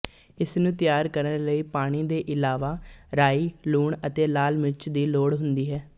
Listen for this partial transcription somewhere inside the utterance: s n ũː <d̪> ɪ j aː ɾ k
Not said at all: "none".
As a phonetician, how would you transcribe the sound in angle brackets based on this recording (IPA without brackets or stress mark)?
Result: t̪